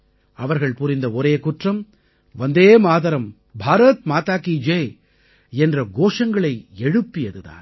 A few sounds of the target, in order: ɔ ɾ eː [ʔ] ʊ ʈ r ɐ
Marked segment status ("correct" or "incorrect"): incorrect